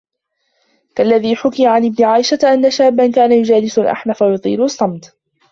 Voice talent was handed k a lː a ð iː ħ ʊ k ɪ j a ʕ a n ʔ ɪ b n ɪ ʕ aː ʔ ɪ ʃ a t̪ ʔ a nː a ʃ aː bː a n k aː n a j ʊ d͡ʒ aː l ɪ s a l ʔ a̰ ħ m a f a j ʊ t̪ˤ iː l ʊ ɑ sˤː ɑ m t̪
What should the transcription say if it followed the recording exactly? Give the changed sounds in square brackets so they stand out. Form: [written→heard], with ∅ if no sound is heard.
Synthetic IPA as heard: k a lː a ð iː ħ ʊ k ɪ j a ʕ a n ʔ ɪ b n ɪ ʕ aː ʔ ɪ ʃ a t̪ ʔ a nː a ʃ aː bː a n k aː n a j ʊ d͡ʒ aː l ɪ s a l ʔ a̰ ħ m a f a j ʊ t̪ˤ iː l ʊ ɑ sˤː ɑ m t̪